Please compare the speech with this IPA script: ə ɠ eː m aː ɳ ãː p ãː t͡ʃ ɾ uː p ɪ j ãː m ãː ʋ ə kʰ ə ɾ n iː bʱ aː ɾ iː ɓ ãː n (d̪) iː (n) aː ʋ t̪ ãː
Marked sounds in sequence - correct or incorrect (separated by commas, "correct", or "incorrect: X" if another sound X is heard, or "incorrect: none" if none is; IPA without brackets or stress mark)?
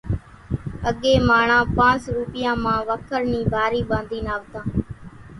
correct, correct